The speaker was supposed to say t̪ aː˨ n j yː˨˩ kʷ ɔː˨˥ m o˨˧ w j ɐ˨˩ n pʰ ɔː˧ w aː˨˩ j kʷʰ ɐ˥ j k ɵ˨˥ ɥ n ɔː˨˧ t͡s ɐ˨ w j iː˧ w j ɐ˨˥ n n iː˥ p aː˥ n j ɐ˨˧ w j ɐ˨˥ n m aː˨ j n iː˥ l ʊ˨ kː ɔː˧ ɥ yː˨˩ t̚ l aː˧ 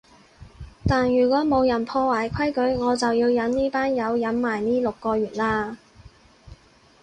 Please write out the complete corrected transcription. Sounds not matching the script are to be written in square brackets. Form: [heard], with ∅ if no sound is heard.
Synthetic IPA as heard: t̪ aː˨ n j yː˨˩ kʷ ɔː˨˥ m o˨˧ w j ɐ˨˩ n pʰ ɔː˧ w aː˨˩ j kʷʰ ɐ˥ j k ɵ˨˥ ɥ [ŋ] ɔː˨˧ t͡s ɐ˨ w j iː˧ w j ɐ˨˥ n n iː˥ p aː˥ n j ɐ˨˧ w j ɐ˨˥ n m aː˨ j n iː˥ l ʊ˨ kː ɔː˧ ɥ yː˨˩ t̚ l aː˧